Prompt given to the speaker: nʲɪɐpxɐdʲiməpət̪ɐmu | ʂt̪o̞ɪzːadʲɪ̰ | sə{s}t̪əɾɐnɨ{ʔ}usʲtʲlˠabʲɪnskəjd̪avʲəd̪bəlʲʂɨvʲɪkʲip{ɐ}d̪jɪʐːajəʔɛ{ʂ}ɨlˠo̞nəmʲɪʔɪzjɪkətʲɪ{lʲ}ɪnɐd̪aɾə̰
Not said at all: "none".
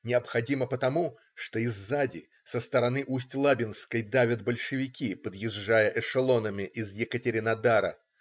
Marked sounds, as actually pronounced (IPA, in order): s, ʔ, ə, ʂ, ɾʲ

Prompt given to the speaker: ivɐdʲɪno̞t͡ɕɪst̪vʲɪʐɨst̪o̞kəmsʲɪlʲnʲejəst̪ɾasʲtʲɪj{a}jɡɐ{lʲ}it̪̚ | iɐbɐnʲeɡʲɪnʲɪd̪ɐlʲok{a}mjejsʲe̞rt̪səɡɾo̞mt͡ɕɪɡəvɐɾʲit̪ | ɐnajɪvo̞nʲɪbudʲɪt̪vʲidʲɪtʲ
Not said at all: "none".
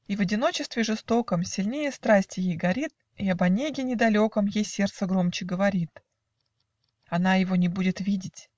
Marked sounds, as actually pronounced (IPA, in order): e, ɾʲ, ə

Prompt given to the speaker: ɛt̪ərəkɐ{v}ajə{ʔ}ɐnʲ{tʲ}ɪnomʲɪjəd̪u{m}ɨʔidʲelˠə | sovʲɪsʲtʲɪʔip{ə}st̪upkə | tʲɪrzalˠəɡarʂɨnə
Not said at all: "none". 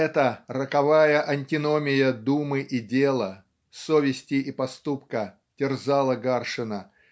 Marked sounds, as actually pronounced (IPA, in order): v, ʔ, tʲ, m, ɐ

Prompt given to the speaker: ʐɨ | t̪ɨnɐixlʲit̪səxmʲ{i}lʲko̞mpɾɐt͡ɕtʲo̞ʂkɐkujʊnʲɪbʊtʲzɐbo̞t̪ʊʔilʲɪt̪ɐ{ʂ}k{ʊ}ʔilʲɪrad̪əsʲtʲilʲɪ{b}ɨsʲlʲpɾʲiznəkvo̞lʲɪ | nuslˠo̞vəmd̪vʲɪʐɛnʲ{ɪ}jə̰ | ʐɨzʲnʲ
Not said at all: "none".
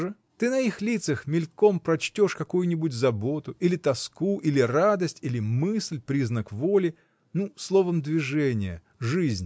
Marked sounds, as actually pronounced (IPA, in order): ɪ, s, u, m, ɪ

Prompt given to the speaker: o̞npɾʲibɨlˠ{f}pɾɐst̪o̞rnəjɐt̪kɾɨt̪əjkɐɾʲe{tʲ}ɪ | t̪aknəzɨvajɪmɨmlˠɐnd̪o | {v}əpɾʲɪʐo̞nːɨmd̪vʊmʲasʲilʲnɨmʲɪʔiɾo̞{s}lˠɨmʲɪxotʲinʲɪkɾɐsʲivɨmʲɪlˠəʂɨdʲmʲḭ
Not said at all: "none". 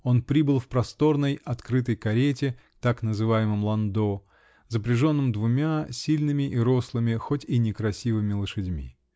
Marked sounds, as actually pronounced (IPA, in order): f, tʲ, z, s

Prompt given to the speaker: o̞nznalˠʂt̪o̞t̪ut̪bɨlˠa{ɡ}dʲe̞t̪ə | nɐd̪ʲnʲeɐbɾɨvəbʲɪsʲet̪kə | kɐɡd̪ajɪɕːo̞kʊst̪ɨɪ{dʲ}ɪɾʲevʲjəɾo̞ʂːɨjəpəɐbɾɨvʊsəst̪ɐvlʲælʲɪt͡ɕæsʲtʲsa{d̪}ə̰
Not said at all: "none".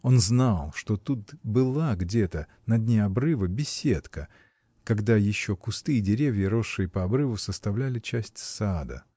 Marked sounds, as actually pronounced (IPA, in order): ɡ, dʲ, d̪

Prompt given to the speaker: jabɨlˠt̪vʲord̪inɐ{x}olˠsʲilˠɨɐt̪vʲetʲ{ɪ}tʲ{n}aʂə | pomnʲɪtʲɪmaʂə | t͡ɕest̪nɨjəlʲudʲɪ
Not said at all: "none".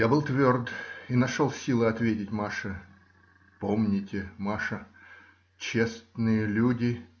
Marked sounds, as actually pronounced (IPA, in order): ʂ, ɪ, m

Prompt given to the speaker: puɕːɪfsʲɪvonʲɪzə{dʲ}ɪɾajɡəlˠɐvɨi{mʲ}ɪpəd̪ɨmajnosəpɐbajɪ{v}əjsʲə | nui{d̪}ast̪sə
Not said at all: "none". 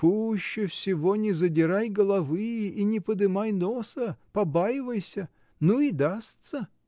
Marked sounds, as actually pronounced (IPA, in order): dʲ, nʲ, v, d̪

